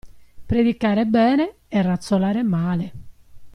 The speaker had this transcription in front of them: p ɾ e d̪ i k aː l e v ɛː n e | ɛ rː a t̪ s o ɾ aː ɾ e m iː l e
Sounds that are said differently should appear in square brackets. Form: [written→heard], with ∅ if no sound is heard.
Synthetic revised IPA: p ɾ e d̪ i k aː [l→ɾ] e [v→b] ɛː n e | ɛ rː a t̪ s o [ɾ→l] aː ɾ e m [iː→aː] l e